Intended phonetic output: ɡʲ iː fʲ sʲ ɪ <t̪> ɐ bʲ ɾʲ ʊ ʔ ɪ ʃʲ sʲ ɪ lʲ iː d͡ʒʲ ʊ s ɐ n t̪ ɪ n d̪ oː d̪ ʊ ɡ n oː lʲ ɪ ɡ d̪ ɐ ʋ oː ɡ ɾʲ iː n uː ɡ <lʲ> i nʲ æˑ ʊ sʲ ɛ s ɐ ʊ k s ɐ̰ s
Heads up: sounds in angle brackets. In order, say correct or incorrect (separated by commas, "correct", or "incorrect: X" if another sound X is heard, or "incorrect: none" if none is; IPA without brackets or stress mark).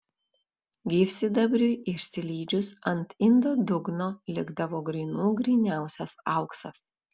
incorrect: d̪, incorrect: ɾʲ